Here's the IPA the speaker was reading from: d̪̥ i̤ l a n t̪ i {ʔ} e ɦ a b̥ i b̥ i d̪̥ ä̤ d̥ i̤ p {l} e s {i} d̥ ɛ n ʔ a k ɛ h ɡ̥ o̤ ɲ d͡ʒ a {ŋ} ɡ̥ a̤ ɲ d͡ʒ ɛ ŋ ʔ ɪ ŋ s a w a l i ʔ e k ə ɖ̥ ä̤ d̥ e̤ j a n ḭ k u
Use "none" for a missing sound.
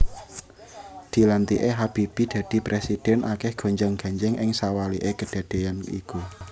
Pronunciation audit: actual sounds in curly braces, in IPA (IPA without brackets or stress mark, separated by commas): ʔ, ɾ, i, ŋ